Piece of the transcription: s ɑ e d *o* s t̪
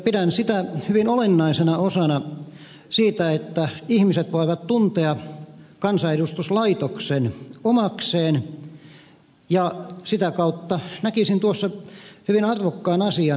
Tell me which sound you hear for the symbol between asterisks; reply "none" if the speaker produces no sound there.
u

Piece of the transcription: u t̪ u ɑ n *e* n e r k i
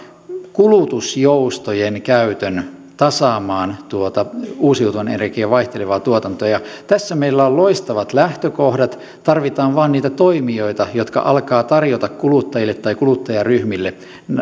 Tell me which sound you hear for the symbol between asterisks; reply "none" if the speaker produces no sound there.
e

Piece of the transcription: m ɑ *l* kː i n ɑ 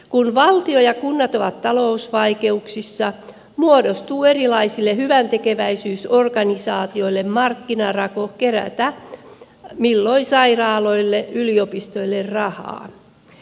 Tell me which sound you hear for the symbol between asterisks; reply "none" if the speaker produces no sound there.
r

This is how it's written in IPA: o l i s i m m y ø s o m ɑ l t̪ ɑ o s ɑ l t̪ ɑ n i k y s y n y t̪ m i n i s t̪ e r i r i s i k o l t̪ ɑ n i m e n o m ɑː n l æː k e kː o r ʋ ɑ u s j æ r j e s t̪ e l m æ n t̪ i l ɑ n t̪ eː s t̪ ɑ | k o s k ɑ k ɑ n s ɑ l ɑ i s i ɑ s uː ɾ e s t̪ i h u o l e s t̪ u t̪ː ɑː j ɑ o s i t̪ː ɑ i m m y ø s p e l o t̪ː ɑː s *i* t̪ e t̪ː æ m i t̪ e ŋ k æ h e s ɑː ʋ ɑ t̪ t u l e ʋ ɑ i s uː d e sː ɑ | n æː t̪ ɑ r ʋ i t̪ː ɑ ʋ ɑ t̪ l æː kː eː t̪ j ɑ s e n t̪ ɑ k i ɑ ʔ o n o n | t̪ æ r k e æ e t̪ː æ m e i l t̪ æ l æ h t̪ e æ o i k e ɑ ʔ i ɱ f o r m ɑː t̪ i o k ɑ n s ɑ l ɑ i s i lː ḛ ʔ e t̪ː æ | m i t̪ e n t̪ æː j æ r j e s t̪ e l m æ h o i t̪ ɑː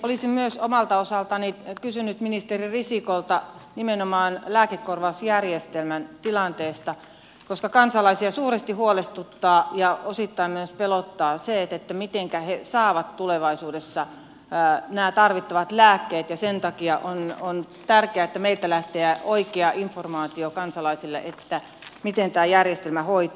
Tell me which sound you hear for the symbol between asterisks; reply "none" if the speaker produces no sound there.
e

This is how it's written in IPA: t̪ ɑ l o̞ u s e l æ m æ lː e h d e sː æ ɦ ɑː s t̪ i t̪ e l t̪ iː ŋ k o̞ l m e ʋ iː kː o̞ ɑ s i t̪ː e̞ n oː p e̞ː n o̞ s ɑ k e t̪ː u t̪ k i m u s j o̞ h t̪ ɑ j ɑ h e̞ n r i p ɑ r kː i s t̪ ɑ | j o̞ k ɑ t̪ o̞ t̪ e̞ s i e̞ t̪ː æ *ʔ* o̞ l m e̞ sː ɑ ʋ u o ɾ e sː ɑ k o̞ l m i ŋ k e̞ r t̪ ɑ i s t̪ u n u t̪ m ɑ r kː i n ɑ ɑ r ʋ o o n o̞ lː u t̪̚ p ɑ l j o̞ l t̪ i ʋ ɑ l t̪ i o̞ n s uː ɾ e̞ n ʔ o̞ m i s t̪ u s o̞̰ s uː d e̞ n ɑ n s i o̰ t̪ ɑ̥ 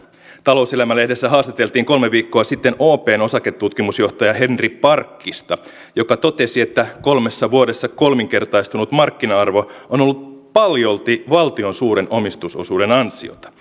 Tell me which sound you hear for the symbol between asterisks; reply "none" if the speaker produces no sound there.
k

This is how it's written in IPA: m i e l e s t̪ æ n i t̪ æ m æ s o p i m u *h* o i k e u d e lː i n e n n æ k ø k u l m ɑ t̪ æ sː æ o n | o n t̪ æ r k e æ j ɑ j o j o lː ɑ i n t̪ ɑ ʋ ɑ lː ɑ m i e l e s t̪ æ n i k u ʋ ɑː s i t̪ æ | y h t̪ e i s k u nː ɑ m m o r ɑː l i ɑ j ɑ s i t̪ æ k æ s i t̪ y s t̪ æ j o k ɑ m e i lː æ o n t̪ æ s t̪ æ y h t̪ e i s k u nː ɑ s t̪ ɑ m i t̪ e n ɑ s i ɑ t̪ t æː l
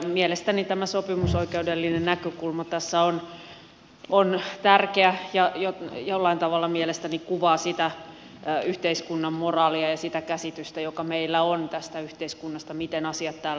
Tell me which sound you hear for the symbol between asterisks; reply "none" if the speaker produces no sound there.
s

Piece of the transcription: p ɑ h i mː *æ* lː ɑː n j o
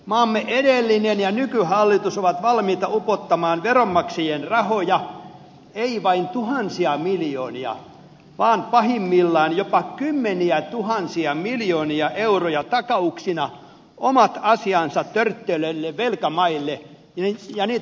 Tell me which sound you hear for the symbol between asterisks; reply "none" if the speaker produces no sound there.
i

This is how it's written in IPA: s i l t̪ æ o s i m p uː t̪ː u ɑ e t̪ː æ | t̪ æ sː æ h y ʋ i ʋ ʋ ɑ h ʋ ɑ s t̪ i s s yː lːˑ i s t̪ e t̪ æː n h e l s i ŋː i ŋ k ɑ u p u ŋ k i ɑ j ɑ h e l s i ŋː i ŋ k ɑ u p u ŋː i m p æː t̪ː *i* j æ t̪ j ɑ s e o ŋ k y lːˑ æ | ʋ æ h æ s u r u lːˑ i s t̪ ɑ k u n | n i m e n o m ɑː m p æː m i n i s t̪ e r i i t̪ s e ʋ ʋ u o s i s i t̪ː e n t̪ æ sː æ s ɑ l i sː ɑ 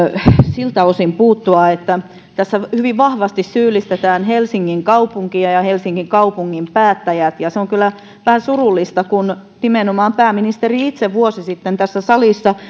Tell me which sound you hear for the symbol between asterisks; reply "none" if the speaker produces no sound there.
æ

